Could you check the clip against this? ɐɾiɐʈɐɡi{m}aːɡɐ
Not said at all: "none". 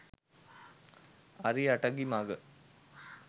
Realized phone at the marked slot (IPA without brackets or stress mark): m